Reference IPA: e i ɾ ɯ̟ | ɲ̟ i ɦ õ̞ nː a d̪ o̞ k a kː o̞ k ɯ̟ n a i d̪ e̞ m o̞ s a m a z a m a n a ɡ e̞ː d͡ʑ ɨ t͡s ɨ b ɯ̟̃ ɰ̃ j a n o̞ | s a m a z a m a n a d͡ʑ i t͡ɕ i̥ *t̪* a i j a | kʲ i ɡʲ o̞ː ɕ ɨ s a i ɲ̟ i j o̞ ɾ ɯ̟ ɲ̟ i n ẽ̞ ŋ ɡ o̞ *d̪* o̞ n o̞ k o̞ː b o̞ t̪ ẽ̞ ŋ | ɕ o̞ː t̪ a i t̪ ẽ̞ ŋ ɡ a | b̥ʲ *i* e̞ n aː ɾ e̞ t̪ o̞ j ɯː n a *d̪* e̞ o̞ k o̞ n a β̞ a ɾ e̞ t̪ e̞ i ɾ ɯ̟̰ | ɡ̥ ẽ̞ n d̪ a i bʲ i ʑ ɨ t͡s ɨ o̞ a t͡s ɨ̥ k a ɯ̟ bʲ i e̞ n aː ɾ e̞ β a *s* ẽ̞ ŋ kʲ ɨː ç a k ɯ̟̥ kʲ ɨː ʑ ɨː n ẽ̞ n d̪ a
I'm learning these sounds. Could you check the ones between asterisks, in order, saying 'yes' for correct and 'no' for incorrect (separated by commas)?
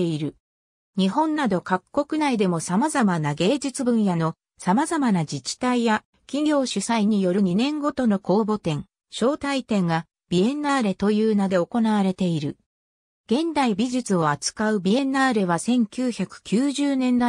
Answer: yes, no, yes, yes, yes